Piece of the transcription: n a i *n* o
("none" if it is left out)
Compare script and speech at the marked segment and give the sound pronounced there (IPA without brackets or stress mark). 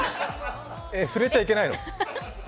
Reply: n